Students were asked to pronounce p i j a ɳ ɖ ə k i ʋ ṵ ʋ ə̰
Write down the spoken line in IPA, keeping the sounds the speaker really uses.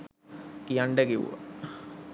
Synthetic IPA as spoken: k i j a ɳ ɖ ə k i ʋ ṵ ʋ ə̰